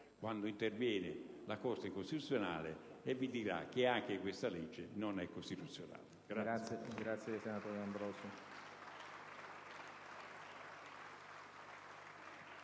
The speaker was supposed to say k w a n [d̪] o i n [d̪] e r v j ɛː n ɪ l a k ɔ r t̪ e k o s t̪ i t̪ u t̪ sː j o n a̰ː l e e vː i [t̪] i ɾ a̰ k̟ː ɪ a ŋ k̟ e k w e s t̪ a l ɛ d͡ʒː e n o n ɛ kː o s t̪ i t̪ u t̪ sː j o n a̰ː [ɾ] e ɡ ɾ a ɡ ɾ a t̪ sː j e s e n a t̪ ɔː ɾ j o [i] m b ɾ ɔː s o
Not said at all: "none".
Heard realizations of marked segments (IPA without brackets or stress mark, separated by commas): d̪, t̪, d̪, l, a